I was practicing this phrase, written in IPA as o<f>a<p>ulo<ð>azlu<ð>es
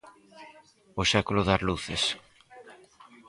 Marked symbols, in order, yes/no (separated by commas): no, no, yes, no